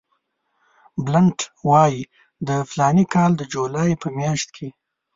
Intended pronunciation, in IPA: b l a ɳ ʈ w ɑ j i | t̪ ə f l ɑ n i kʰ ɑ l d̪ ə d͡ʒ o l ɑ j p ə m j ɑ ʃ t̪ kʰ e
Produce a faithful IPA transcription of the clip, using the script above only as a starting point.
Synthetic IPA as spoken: b l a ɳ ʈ w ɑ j i | d̪ ə f l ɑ n i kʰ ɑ l d̪ ə d͡ʒ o l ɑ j p ə m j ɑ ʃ t̪ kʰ e